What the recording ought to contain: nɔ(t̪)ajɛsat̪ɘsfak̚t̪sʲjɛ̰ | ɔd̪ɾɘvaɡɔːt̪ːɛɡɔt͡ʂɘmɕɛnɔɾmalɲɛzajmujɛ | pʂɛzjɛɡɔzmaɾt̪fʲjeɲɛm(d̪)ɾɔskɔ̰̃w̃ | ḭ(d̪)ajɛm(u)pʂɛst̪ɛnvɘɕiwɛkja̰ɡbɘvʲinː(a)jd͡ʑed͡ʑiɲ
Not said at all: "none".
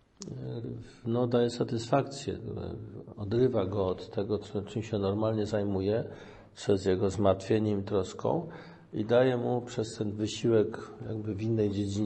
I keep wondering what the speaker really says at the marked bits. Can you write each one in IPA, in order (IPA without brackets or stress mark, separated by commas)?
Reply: d̪, t̪, d̪, u, ɛ